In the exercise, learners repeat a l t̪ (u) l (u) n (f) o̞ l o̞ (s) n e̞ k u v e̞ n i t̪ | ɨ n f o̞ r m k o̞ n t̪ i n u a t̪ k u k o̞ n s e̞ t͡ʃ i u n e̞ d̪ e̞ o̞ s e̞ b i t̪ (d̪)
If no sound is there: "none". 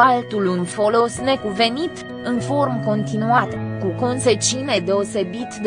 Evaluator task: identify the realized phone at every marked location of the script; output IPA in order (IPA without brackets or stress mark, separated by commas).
u, u, f, s, d̪